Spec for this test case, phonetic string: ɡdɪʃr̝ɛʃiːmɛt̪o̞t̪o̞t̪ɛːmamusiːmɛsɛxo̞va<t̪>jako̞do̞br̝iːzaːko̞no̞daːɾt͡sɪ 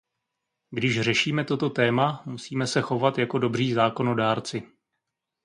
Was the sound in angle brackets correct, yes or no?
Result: yes